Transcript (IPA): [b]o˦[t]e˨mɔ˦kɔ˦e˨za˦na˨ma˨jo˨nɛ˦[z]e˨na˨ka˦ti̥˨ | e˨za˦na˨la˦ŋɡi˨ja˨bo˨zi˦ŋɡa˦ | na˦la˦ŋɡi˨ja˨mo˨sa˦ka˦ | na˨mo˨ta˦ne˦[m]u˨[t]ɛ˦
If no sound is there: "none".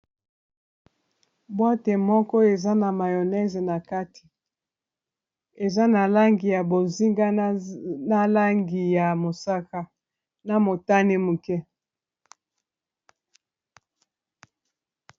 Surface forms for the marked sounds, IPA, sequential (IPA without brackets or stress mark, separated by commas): b, t, z, m, k